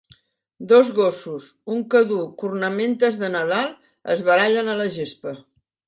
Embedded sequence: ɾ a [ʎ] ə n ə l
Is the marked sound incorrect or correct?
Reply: correct